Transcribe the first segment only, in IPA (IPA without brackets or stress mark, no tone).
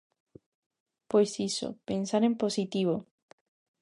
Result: p